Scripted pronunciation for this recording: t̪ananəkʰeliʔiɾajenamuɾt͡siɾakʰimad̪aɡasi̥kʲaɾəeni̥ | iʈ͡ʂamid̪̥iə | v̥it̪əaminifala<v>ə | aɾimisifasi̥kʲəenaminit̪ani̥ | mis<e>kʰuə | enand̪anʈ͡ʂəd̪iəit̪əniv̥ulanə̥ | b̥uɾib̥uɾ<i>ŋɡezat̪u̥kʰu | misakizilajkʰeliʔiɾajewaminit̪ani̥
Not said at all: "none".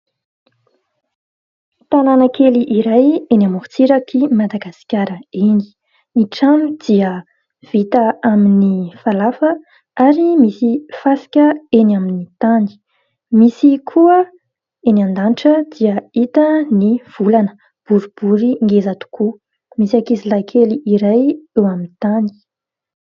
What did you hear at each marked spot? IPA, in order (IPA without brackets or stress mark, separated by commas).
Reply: f, i, i